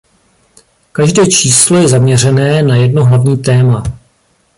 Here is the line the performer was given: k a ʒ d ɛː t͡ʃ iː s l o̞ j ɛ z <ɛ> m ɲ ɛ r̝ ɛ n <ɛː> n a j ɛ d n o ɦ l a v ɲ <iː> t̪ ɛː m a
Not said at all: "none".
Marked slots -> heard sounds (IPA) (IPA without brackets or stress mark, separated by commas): a, ɛː, iː